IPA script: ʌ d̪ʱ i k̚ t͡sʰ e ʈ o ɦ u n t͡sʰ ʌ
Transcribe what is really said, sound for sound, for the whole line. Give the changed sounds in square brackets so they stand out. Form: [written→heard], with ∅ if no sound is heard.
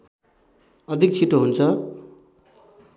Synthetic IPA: ʌ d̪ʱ i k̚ t͡sʰ [e→i] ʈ o ɦ u n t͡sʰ ʌ

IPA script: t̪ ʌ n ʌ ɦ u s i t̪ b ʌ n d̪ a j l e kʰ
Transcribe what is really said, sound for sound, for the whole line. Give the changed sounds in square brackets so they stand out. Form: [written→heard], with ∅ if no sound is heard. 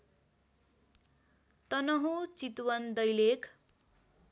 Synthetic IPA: t̪ ʌ n ʌ ɦ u [s→t͡s] i t̪ [b→w] ʌ n d̪ [a→ʌ] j l e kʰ

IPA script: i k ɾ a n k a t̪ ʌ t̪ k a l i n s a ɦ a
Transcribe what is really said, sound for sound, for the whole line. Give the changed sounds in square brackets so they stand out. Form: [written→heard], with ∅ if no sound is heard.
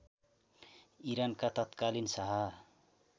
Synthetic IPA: i [k→∅] ɾ a n k a t̪ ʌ t̪ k a l i n s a ɦ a

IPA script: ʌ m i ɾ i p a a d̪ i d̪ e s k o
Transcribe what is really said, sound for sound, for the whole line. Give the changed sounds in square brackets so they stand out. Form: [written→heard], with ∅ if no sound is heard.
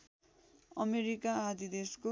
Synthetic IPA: ʌ m [i→e] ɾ i [p→k] a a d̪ i d̪ e s k o

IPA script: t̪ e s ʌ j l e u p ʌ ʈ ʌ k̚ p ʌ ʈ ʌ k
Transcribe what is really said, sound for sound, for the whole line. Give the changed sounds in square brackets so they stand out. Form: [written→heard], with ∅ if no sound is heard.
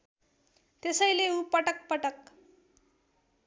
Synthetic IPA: t̪ e s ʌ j l e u p ʌ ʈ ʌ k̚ p ʌ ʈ ʌ k

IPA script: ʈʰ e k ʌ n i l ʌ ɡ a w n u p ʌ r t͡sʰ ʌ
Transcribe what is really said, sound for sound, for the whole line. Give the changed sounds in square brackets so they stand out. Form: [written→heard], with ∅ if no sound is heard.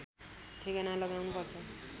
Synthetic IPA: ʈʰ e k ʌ n [i→a] l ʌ ɡ a w n u p ʌ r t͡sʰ ʌ

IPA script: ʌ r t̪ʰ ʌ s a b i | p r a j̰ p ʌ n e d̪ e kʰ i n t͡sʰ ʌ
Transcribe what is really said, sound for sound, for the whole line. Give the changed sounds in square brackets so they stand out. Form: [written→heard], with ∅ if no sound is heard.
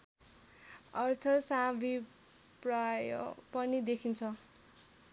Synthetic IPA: ʌ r t̪ʰ ʌ s a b i | p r a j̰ p ʌ n [e→i] d̪ e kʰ i n t͡sʰ ʌ

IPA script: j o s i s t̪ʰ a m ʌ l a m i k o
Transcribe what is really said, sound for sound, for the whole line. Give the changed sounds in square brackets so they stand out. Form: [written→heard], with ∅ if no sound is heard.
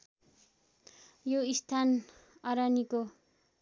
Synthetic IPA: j o [s→∅] i s t̪ʰ a [m→n] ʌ [l→ɾ] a [m→n] i k o

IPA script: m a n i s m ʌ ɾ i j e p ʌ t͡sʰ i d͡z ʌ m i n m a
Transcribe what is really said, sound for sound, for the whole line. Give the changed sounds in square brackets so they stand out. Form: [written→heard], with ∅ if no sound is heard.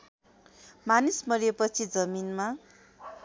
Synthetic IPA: m a n i s m ʌ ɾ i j e p ʌ t͡sʰ i d͡z ʌ m i n m a

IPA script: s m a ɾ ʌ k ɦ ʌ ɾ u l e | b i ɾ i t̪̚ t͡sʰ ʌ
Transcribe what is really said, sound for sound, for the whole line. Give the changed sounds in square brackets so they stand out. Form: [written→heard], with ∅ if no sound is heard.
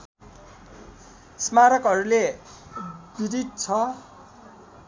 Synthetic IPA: s m a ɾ ʌ k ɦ ʌ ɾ u l e | b i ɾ i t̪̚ t͡sʰ ʌ

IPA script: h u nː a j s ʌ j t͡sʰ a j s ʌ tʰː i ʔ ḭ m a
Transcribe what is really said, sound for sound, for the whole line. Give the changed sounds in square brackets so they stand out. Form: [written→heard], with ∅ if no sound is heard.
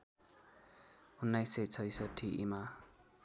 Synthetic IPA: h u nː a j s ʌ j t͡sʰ [a→ʌ] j s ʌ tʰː i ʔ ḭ m a

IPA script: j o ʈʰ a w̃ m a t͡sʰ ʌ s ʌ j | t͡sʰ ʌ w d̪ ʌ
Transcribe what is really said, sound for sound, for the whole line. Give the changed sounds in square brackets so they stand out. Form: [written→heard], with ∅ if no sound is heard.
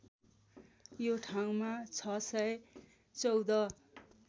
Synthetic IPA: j o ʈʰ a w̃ m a t͡sʰ ʌ s ʌ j | [t͡sʰ→t͡s] ʌ w d̪ ʌ

